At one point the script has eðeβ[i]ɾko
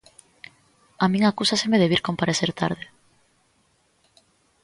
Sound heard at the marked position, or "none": i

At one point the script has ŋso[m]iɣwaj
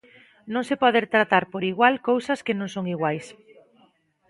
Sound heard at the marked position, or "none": ŋ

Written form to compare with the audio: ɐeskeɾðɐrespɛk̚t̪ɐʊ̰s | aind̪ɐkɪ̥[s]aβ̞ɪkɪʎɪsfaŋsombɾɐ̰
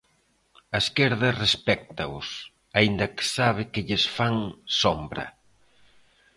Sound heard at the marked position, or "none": s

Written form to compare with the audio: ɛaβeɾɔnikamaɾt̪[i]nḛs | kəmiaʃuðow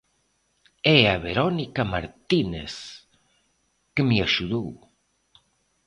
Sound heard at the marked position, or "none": i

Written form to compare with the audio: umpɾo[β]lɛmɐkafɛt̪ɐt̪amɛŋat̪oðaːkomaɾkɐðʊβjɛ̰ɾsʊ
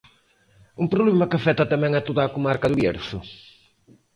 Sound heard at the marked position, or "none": β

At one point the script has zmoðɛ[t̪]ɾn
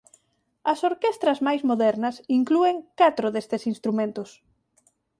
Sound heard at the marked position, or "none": none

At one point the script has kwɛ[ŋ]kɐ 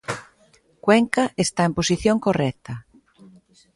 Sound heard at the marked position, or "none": ŋ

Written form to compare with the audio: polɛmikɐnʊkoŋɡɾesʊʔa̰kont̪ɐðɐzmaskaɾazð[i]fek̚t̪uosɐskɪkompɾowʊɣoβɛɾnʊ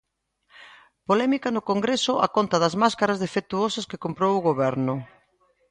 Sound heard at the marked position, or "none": e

